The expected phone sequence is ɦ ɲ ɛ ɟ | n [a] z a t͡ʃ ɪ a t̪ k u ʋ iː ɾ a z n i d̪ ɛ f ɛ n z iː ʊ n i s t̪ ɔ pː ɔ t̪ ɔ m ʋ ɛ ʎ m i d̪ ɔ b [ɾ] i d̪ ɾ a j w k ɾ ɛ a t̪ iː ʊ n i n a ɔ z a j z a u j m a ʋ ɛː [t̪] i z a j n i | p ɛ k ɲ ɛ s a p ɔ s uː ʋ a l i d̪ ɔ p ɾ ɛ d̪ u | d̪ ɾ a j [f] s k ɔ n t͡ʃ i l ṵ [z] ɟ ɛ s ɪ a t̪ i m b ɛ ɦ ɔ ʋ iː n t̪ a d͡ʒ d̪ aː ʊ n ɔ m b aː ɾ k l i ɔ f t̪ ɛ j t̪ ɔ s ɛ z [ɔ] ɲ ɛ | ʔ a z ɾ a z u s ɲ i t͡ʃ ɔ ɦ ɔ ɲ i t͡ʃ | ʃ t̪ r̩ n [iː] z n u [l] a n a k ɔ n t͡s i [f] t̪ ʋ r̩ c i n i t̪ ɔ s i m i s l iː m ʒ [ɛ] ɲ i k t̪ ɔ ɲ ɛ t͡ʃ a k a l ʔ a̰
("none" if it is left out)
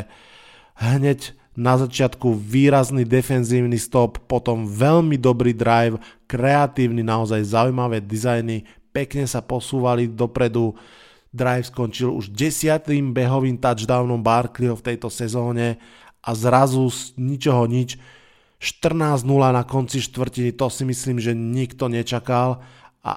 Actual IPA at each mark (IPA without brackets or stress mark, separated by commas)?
a, ɾ, d̪, f, ʒ, ɔː, aː, l, ʃ, ɛ